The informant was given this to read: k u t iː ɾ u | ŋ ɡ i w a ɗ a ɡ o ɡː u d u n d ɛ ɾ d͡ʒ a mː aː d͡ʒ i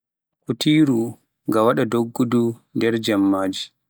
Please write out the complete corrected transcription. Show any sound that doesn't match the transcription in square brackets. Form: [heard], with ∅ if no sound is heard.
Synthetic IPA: k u t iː ɾ u | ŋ ɡ [a] w a ɗ a [d] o ɡː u d u n d ɛ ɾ d͡ʒ a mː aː d͡ʒ i